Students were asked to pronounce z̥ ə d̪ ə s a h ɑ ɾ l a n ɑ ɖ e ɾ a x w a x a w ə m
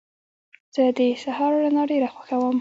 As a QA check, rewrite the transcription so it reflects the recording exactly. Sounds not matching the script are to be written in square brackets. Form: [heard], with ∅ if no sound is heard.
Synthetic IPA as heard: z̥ ə d̪ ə s a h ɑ ɾ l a n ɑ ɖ e ɾ a x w a x a w ə m